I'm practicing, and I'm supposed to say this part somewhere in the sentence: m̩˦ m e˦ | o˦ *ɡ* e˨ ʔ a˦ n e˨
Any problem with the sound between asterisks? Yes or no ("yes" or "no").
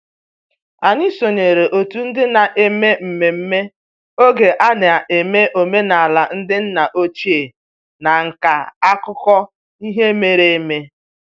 no